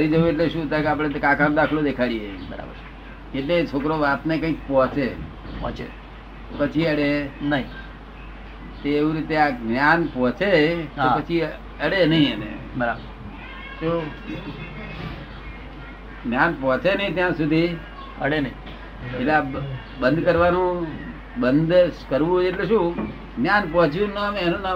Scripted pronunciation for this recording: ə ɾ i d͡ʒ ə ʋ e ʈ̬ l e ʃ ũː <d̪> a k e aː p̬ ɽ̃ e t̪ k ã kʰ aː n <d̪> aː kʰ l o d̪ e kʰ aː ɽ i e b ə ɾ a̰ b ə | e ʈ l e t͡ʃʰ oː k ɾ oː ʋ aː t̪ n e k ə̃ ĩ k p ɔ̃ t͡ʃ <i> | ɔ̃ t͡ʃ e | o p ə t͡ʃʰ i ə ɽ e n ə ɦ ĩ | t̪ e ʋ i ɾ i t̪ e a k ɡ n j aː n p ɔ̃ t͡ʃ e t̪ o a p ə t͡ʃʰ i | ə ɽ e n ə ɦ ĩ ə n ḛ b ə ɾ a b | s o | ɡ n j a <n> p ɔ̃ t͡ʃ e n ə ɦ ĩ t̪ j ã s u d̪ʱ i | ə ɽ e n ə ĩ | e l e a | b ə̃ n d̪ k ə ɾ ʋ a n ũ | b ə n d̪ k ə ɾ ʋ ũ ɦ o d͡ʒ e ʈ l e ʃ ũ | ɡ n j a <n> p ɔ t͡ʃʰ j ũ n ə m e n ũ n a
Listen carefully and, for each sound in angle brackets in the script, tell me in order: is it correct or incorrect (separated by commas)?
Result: incorrect, correct, incorrect, correct, correct